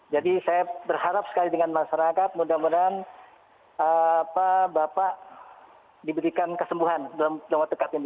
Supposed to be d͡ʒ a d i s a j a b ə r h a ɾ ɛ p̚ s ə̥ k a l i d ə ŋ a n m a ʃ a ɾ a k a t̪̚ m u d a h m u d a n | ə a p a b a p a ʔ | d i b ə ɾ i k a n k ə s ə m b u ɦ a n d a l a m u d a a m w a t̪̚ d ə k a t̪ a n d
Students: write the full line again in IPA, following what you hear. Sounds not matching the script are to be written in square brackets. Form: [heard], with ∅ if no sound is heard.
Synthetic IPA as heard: d͡ʒ a d i s a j a b ə r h a ɾ [a] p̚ s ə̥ k a l i d ə ŋ a n m a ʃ a ɾ a k a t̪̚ m u d a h m u d a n | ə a p a b a p a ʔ | d i b ə ɾ i k a n k ə s ə m b u ɦ a n d a l a m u d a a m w a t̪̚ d ə k a t̪ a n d